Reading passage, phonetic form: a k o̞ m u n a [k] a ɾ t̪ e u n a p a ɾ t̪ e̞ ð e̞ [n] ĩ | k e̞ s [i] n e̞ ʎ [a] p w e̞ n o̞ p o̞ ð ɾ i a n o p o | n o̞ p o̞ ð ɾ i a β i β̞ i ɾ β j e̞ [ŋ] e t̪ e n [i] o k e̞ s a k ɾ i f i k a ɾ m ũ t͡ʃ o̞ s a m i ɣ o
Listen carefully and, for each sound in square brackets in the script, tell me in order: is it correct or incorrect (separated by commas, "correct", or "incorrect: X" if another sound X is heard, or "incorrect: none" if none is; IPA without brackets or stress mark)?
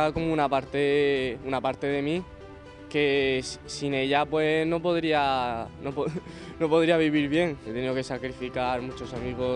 incorrect: p, incorrect: m, correct, correct, correct, correct